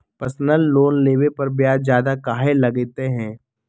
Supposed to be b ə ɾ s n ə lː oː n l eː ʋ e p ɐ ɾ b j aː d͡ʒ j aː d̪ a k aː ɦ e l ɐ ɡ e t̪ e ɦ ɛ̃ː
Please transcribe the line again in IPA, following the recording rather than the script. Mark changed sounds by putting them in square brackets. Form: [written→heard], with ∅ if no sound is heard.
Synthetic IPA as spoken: [b→p] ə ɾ s n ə lː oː n l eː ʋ e p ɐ ɾ b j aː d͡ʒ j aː d̪ a k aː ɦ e l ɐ ɡ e t̪ e ɦ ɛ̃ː